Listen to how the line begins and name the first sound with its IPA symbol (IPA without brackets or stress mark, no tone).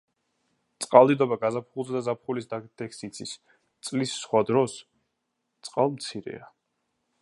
t̪